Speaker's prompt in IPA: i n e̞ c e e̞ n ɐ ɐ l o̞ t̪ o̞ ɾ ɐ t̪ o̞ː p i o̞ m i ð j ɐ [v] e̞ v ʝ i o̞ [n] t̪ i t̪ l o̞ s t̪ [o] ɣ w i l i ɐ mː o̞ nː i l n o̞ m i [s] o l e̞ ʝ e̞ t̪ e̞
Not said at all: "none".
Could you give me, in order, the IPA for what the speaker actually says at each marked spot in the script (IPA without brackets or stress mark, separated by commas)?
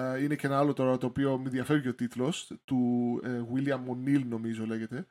f, none, u, z